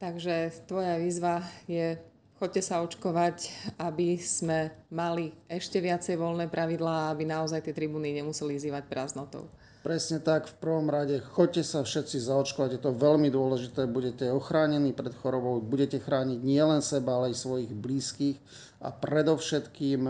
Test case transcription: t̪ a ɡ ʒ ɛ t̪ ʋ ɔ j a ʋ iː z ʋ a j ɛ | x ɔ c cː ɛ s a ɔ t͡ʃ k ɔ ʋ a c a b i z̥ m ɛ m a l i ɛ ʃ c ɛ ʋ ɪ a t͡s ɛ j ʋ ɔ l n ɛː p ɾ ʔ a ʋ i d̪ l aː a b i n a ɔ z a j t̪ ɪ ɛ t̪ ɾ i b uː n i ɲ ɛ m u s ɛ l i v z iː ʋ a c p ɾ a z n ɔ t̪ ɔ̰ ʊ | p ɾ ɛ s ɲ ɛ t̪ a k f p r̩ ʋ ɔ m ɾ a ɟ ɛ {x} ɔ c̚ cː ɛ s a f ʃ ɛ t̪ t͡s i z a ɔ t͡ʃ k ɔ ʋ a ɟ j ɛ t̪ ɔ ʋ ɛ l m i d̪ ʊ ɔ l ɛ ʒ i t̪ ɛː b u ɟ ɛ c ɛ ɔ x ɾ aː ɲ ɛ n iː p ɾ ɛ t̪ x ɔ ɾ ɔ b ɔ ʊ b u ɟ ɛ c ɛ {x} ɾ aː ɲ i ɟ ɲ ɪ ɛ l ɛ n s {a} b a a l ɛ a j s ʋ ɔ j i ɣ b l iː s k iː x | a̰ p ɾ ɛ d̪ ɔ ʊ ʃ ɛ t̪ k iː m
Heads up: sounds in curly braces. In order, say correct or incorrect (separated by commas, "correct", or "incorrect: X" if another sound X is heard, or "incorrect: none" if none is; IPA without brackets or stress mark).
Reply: correct, correct, incorrect: ɛ